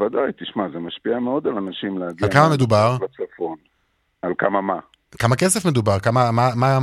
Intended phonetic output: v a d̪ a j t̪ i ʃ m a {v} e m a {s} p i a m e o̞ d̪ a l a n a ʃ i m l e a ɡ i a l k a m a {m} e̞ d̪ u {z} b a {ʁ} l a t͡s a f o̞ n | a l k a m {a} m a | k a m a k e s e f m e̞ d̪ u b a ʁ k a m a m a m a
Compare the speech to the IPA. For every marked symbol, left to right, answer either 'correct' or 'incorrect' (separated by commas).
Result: incorrect, incorrect, correct, incorrect, correct, correct